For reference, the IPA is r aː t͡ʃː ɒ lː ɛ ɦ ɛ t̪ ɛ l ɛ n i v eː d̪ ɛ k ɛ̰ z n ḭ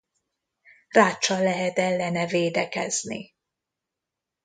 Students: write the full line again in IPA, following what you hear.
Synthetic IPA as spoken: r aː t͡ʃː ɒ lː ɛ ɦ ɛ t̪ ɛ lː ɛ n ɛ v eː d̪ ɛ k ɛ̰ z n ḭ